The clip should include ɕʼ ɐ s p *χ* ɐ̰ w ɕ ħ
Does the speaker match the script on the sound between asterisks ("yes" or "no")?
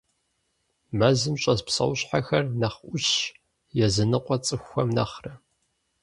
no